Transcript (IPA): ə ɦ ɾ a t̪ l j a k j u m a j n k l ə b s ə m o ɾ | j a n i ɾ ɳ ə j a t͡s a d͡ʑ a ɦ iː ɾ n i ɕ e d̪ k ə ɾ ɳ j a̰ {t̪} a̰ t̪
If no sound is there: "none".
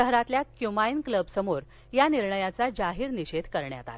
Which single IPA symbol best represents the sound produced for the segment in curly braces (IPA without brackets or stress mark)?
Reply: t̪